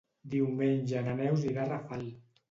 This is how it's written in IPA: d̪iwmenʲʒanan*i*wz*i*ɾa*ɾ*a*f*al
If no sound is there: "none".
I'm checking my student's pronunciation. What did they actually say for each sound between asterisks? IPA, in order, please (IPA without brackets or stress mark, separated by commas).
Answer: ɛ, i, r, f